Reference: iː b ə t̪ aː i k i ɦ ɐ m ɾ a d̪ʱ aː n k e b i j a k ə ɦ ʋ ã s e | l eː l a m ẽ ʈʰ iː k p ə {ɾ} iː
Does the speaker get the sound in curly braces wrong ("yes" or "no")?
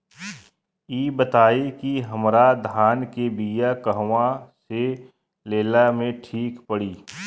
yes